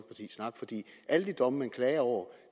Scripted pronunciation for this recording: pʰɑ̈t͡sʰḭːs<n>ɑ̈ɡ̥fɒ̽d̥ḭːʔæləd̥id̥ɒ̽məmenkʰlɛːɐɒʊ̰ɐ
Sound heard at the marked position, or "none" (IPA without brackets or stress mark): n